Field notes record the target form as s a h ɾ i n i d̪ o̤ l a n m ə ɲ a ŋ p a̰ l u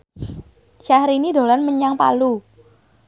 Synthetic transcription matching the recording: ʃ a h ɾ i n i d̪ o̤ l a n m ə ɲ a ŋ p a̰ l u